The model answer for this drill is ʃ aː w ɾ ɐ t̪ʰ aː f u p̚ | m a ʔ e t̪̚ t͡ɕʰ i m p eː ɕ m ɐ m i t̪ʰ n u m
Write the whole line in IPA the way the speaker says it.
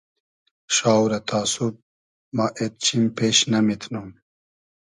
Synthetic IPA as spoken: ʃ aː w ɾ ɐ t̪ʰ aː s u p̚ | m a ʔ e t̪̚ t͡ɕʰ i m p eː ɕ n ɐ m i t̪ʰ n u m

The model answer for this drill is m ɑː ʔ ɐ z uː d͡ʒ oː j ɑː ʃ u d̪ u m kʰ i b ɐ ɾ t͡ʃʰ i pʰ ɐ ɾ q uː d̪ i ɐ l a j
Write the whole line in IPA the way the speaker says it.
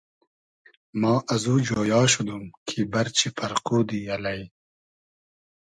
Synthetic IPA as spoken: m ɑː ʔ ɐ z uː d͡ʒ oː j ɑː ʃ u d̪ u m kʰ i b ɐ ɾ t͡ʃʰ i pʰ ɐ ɾ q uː d̪ i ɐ l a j

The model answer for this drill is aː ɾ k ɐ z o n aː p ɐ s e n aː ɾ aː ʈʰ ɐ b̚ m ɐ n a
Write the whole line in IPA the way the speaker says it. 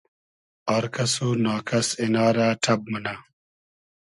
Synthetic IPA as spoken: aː ɾ k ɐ s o n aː k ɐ s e n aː ɾ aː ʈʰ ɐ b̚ m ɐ n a

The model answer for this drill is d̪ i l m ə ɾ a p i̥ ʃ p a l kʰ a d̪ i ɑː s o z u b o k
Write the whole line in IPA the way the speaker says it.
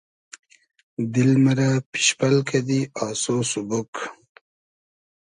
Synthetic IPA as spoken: d̪ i l m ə ɾ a p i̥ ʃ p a l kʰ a d̪ i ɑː s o s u b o k

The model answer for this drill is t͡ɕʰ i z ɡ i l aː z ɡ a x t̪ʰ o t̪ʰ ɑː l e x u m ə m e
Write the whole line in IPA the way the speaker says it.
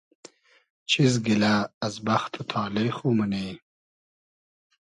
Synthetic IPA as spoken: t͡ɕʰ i z ɡ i l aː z b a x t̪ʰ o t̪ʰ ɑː l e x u m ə n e

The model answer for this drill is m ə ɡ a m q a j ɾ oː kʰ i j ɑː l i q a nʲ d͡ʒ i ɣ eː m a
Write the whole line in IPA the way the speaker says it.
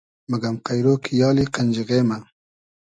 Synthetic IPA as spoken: m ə ɡ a m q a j ɾ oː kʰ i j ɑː l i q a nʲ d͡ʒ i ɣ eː m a

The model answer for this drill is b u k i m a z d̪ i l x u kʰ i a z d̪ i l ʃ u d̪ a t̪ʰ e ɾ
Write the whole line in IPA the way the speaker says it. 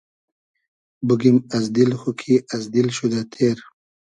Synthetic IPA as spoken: b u ɡ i m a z d̪ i l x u kʰ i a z d̪ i l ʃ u d̪ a t̪ʰ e ɾ

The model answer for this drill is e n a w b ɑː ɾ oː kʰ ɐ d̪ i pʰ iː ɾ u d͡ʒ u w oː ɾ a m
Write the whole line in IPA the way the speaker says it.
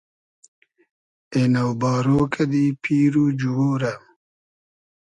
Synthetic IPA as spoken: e n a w b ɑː ɾ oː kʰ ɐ d̪ i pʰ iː ɾ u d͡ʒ u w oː ɾ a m

